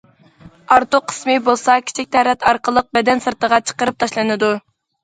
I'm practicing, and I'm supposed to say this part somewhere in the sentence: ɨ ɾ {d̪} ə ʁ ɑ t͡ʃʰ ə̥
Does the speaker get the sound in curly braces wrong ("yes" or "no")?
yes